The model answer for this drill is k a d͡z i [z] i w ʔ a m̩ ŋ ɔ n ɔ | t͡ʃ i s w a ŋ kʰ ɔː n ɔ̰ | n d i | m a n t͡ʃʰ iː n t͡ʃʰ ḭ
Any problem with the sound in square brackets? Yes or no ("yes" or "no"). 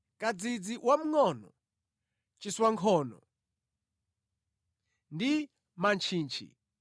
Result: yes